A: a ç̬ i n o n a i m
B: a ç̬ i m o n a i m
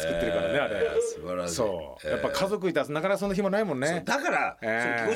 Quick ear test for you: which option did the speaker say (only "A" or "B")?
B